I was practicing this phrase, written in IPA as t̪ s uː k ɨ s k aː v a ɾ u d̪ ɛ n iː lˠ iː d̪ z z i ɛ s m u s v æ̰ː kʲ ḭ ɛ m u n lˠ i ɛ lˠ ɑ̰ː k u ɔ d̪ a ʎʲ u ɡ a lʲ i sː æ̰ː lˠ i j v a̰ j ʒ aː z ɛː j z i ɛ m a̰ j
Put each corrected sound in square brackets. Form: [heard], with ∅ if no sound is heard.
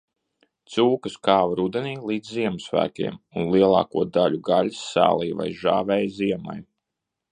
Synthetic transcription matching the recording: t̪ s uː k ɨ s k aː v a ɾ u d̪ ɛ n iː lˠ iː d̪ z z i ɛ [∅] m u s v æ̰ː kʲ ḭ ɛ m u n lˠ i ɛ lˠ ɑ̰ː k u ɔ d̪ a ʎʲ u ɡ a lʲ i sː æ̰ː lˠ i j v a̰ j ʒ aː [v] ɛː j z i ɛ m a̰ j